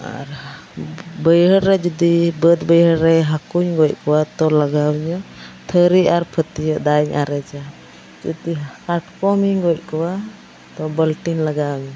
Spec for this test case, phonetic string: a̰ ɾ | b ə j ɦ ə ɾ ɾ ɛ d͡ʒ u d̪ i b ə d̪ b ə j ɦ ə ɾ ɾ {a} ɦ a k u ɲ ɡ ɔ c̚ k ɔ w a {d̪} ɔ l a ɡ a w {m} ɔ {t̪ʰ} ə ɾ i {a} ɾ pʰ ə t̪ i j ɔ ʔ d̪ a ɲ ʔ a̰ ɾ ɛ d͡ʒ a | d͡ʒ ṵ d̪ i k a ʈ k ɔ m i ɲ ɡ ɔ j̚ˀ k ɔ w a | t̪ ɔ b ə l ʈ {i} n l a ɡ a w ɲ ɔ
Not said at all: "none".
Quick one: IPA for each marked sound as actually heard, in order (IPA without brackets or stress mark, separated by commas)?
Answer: ɛ, t̪, ɲ, t̪ʰ, a, i